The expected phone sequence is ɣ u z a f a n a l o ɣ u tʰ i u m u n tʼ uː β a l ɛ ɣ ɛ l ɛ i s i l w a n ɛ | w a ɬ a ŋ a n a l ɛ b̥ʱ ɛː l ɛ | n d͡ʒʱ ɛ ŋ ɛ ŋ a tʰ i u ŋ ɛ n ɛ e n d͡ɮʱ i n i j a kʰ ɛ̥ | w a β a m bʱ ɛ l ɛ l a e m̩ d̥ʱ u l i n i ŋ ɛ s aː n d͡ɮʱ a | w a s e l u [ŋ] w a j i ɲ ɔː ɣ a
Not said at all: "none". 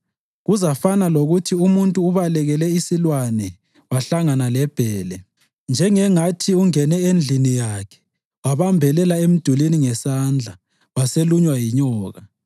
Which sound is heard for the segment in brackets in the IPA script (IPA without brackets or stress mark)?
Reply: ɲ